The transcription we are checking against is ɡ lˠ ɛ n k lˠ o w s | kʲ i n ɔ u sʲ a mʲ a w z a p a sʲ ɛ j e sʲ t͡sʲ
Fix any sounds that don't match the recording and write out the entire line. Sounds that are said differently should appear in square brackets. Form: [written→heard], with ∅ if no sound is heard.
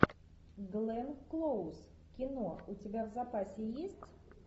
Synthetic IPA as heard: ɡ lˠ ɛ n k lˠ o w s | kʲ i n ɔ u [sʲ→t͡sʲ] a [mʲ→bʲ] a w z a p a sʲ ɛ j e sʲ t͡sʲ

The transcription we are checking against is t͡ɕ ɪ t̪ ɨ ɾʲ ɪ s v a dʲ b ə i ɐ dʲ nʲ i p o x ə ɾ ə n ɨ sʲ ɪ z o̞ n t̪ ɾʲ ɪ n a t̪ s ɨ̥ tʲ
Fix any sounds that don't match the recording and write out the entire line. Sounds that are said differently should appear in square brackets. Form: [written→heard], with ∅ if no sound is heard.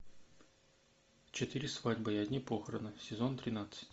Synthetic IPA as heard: t͡ɕ ɪ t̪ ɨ ɾʲ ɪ s v a dʲ b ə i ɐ dʲ nʲ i p o x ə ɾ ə n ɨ sʲ ɪ z o̞ n t̪ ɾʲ ɪ n a t̪ s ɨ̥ tʲ

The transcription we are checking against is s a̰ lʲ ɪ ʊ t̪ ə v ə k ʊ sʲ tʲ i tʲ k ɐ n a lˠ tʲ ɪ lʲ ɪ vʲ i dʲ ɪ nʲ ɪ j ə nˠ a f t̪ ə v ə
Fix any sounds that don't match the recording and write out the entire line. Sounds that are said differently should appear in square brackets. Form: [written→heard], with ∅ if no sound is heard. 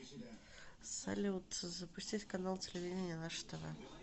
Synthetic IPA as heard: s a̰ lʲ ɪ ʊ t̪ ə [v→z] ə [k→p] ʊ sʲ tʲ i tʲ k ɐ n a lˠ tʲ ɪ lʲ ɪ vʲ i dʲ ɪ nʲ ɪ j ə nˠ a [f→ʂ] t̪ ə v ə

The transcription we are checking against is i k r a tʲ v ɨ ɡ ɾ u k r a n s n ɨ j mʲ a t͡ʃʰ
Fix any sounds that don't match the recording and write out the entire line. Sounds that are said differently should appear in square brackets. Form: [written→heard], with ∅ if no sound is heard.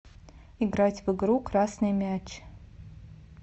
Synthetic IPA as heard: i [k→ɡ] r a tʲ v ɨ ɡ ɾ u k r a [n→∅] s n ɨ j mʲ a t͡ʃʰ

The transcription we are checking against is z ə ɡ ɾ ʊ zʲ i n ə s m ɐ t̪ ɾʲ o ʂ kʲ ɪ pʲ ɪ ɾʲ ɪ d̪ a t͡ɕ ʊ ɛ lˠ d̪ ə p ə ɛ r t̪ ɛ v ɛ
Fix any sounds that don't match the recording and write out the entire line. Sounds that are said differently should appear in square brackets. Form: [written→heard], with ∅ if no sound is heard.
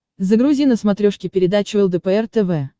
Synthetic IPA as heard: z ə ɡ ɾ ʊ zʲ i n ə s m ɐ t̪ ɾʲ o ʂ kʲ ɪ pʲ ɪ ɾʲ ɪ d̪ a t͡ɕ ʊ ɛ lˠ d̪ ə p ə ɛ r t̪ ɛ v ɛ

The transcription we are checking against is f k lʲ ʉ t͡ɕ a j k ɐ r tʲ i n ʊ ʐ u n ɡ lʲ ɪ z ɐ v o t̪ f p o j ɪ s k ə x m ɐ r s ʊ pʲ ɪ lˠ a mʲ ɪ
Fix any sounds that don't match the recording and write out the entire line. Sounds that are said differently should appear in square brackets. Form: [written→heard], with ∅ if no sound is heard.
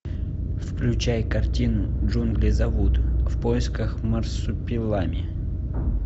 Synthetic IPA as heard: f k lʲ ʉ t͡ɕ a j k ɐ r tʲ i n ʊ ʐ u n ɡ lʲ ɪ z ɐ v [o→u] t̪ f p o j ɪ s k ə x m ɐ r s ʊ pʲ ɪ lˠ a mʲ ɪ

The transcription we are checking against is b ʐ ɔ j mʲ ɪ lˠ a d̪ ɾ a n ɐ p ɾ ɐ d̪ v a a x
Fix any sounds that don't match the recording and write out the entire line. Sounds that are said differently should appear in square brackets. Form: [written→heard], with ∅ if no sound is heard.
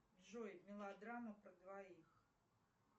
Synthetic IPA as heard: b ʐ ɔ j mʲ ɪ lˠ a d̪ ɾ a [n→m] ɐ p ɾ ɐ d̪ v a [a→i] x

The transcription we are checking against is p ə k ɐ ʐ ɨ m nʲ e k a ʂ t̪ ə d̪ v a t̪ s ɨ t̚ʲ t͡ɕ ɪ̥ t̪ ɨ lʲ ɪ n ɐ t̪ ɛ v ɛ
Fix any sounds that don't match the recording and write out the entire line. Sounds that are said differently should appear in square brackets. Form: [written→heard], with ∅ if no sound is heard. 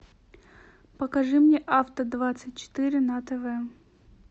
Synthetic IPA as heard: p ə k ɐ ʐ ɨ m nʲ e [k→ʔ] a [ʂ→f] t̪ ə d̪ v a t̪ s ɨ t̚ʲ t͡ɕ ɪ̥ t̪ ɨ [lʲ→ɾʲ] ɪ n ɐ t̪ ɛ v ɛ

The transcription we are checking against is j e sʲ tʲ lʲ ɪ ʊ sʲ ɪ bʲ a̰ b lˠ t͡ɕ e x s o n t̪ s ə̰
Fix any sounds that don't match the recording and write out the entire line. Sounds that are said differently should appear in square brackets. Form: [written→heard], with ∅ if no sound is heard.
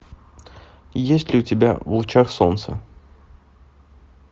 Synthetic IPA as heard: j e sʲ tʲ lʲ ɪ ʊ [sʲ→tʲ] ɪ bʲ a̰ [b→v] lˠ t͡ɕ [e→a] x s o n t̪ s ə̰

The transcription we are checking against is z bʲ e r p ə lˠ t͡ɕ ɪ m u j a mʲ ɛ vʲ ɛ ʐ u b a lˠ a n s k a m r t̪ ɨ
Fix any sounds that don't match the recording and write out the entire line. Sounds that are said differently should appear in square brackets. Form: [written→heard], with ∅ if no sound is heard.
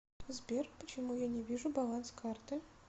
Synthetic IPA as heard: z bʲ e r p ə [lˠ→∅] t͡ɕ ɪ m u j a [mʲ→nʲ] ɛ vʲ [ɛ→i] ʐ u b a lˠ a n s k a [m→∅] r t̪ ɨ

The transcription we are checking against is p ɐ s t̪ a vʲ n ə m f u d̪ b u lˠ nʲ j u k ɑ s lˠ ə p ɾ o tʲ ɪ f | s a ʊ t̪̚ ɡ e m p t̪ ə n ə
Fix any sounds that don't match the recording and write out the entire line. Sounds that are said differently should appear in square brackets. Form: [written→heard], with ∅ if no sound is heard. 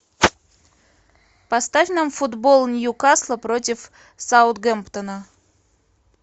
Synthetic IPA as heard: p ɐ s t̪ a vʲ n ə m f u d̪ b [u→o] lˠ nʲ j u k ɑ s lˠ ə p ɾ o tʲ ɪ f | s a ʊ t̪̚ ɡ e m p t̪ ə n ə

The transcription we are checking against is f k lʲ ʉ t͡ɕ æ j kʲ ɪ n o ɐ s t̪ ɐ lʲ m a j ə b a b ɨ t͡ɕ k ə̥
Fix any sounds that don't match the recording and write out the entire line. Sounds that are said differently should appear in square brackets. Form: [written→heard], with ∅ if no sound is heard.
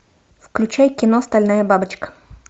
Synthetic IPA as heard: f k lʲ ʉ t͡ɕ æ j kʲ ɪ n o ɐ s t̪ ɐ lʲ [m→n] a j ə b a b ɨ t͡ɕ k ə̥

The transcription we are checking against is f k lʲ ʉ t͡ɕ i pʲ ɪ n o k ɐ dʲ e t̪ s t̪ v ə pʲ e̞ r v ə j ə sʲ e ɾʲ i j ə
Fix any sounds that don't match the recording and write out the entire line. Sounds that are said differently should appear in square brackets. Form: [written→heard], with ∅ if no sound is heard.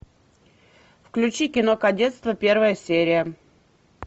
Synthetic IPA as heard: f k lʲ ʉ t͡ɕ i [pʲ→kʲ] ɪ n o k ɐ dʲ e t̪ s t̪ v ə pʲ e̞ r v ə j ə sʲ e ɾʲ [i→ɪ] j ə

